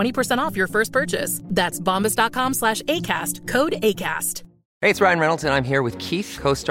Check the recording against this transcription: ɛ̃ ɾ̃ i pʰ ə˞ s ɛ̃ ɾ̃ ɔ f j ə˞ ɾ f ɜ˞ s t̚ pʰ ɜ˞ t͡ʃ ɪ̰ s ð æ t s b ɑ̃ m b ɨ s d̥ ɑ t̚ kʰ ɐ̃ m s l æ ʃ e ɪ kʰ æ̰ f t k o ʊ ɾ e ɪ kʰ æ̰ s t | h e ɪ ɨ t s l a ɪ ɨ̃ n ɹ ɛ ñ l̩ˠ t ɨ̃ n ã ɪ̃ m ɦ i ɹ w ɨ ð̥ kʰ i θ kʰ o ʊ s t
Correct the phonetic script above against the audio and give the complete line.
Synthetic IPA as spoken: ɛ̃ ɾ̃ i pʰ ə˞ s ɛ̃ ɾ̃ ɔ f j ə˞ f ɜ˞ s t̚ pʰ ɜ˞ t͡ʃ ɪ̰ s ð æ t s b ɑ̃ m b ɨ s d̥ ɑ t̚ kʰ ɑ̃ m s l æ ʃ e ɪ kʰ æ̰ s t kʰ o ʊ ɾ e ɪ kʰ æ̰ s t | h e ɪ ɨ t s ɹ a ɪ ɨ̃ n ɹ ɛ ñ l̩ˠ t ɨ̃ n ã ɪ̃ m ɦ i ɹ w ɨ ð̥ kʰ i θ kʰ o ʊ s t